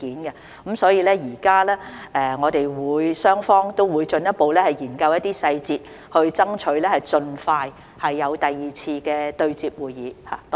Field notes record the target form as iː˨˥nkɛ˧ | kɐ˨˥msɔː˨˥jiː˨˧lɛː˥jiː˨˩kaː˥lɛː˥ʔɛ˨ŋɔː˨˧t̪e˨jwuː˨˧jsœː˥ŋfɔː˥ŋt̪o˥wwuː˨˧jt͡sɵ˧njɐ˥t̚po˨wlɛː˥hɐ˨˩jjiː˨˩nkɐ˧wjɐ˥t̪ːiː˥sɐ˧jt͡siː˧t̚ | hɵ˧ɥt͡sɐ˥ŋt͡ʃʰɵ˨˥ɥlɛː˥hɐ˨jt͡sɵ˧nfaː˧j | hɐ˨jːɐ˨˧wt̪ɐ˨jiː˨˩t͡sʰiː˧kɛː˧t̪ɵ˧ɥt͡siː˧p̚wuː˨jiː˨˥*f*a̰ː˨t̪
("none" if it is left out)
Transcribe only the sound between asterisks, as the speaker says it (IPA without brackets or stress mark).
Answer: h